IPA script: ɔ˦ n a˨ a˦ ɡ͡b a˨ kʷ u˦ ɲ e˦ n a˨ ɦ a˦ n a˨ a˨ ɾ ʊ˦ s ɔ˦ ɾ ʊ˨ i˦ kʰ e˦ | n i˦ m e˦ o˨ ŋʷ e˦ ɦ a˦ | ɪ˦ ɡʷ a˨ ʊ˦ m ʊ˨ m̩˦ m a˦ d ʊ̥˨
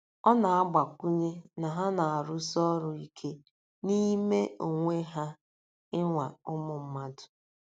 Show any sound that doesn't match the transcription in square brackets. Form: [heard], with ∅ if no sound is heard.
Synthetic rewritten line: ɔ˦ n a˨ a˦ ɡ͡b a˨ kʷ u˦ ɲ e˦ n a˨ ɦ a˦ n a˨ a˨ ɾ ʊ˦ s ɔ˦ ɾ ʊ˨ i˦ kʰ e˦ | n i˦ m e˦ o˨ ŋʷ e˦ ɦ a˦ | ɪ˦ [ŋʷ] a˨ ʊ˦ m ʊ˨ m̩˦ m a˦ d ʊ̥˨